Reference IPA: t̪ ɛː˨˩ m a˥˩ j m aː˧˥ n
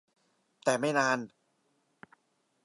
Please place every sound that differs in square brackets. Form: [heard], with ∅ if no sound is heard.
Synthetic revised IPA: t̪ ɛː˨˩ m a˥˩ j [n] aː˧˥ n